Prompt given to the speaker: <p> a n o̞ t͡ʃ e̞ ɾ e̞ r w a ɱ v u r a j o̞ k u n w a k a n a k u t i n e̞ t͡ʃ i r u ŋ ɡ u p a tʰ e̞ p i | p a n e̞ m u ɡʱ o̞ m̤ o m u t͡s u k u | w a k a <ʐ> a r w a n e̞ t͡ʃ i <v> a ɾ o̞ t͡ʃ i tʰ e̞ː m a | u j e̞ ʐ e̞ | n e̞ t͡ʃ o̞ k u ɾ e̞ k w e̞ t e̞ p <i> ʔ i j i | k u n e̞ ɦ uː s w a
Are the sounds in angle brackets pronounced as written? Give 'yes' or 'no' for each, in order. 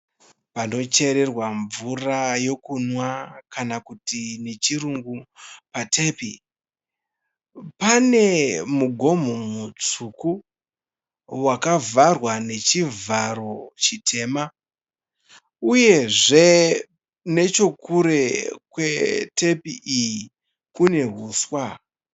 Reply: yes, no, yes, yes

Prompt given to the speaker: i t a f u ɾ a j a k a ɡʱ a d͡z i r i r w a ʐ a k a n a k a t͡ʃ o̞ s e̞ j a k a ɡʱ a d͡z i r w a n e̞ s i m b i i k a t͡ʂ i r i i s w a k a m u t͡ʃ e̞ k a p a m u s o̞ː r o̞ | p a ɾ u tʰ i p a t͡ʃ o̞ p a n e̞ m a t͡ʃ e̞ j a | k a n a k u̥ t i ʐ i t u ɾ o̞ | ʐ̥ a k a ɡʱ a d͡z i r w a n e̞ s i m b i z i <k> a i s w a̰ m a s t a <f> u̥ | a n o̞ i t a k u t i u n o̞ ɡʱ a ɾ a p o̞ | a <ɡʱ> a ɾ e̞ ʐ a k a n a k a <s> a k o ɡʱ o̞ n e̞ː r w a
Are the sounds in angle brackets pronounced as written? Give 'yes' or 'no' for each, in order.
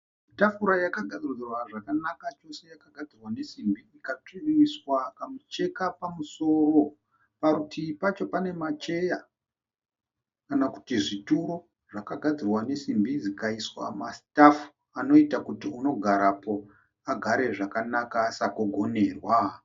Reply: yes, yes, yes, yes

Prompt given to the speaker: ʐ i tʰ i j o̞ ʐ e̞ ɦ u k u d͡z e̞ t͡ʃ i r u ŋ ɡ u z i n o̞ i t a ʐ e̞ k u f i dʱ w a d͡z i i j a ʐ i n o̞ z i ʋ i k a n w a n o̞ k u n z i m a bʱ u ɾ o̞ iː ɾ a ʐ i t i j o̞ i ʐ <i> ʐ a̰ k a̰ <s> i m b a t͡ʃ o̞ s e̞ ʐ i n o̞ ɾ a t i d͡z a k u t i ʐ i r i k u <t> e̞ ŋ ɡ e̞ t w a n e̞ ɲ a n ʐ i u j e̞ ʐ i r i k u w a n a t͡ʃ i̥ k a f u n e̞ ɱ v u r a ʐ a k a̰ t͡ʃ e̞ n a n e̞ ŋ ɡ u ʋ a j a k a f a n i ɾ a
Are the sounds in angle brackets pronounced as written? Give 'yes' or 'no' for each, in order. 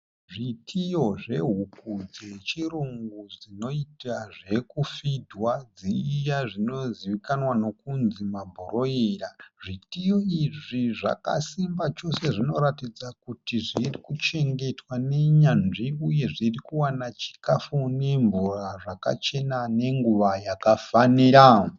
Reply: yes, yes, no

